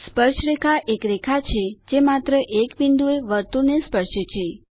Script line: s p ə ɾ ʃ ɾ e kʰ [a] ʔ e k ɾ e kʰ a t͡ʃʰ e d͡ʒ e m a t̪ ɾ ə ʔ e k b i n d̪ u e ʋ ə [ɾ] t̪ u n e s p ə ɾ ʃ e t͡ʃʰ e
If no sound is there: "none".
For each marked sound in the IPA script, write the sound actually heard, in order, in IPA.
a, ɾ

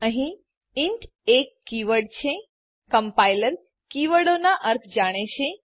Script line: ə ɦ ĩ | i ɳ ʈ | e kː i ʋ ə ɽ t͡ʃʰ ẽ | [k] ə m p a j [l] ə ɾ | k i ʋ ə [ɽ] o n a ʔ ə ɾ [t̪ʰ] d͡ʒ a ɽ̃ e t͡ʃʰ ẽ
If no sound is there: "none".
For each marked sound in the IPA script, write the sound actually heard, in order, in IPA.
k, l, ɽ, t̪ʰ

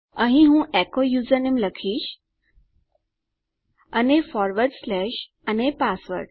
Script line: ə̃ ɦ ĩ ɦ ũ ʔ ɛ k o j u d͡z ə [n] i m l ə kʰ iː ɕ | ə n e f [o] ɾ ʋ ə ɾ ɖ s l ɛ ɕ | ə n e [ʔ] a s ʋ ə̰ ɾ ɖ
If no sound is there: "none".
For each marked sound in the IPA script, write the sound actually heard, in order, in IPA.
n, ɔ, p

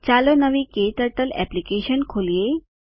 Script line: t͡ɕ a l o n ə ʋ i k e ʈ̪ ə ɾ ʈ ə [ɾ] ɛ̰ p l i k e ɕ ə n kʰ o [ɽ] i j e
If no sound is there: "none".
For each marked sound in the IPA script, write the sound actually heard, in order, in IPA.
l, l

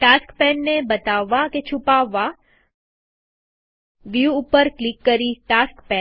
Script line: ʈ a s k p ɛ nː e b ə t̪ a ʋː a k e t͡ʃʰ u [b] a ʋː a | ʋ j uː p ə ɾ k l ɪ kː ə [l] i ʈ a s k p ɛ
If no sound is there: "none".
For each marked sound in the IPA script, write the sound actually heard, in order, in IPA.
p, ɾ

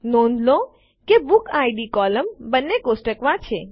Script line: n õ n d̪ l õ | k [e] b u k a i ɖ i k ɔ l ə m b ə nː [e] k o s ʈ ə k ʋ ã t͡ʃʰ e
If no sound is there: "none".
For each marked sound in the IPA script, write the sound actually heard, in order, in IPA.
e, e

